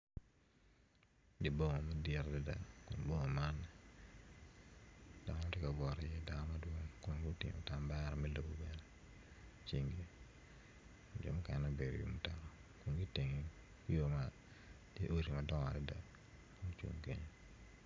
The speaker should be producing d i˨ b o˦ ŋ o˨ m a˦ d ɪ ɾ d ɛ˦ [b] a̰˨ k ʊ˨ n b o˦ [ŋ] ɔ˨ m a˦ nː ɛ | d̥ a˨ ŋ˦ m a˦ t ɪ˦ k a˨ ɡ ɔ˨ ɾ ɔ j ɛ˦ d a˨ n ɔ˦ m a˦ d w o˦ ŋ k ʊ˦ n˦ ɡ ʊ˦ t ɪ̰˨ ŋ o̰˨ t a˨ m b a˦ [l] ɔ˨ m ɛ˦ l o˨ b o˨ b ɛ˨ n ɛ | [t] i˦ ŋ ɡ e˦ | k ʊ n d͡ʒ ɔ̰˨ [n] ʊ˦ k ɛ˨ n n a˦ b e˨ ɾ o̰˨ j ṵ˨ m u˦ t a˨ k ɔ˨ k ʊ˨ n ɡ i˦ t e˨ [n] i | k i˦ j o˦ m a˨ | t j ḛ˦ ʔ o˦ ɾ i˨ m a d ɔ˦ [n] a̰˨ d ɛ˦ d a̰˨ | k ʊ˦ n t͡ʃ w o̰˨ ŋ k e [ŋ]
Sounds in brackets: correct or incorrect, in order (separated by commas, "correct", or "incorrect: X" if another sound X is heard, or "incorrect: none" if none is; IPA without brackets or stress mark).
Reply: incorrect: d, correct, incorrect: ɾ, incorrect: t͡ʃ, incorrect: m, incorrect: ŋ, incorrect: ŋ, incorrect: ɲ